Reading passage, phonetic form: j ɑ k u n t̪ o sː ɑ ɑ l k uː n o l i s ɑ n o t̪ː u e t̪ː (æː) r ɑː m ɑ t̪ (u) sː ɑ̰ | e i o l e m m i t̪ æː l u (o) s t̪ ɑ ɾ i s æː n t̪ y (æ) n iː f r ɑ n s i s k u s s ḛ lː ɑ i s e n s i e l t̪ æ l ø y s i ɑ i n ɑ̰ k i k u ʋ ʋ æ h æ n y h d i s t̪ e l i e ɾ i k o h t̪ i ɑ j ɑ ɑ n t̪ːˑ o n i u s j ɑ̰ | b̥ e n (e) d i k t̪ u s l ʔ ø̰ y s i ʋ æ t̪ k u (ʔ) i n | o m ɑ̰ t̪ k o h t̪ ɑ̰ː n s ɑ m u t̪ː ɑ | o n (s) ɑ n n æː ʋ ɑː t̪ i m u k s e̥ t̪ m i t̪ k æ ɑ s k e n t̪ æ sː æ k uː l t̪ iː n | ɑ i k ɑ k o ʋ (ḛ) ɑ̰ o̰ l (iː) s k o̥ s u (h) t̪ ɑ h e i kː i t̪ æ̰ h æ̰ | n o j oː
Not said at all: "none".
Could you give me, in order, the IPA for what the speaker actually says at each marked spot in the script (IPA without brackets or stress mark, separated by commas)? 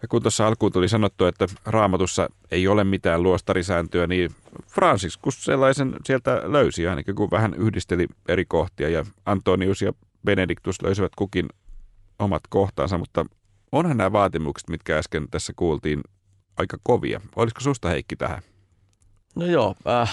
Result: æ, u, o, æ, e, k, h, ḭ, i, s